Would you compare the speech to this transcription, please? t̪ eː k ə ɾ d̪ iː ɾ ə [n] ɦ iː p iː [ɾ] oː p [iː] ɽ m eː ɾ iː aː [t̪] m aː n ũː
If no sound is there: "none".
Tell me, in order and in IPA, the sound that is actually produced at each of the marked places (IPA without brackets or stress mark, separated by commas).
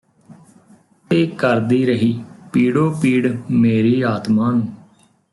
none, ɽ, iː, t̪